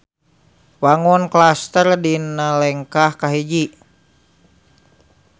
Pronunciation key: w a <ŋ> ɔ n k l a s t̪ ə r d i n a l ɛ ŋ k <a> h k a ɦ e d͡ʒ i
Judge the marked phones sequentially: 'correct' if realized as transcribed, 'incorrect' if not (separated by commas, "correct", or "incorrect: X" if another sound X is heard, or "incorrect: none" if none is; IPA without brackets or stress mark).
correct, correct